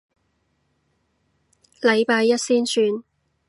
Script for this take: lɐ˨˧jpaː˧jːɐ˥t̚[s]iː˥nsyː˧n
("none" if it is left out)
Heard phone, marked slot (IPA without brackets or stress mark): s